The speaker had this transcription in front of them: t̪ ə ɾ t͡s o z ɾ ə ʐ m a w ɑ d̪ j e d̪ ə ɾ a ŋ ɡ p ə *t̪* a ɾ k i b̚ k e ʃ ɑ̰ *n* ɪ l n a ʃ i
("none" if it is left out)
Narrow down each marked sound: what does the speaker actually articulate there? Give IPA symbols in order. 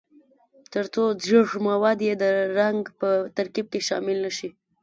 t̪, m

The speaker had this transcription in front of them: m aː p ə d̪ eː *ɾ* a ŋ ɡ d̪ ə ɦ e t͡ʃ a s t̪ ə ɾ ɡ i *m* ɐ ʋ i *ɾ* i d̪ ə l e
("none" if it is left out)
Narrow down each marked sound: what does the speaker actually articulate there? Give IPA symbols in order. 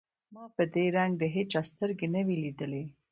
ɾ, n, l

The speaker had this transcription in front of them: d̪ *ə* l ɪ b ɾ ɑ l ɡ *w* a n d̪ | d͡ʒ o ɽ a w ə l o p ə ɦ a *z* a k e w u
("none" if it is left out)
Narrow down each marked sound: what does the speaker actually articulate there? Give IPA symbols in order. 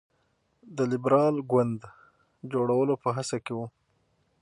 ə, w, s

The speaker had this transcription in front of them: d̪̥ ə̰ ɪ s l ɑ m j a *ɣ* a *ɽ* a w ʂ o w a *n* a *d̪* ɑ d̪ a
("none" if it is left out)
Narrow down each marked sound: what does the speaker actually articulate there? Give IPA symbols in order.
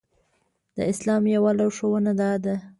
w, l, n, d̪

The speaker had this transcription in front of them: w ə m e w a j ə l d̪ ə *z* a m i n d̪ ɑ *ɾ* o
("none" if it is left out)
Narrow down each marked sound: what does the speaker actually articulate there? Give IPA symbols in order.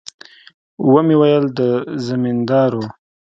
z, ɾ

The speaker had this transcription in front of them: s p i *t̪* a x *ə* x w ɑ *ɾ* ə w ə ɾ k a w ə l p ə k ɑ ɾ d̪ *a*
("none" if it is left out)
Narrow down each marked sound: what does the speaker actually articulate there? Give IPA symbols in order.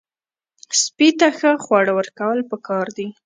t̪, ə, ɽ, i

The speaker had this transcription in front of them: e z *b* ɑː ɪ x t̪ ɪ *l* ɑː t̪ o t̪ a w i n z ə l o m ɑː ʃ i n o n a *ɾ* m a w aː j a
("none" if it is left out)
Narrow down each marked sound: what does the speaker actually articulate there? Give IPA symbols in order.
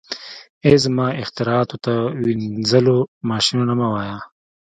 m, ɾ, none

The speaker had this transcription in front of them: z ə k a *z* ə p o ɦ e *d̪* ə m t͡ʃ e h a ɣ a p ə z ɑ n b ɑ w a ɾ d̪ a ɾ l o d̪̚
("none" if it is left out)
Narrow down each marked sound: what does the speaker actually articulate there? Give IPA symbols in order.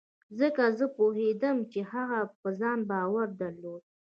z, d̪

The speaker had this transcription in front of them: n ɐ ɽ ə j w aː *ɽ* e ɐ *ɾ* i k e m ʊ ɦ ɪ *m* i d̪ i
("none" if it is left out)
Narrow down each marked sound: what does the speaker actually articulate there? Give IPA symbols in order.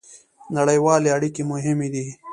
l, ɽ, m

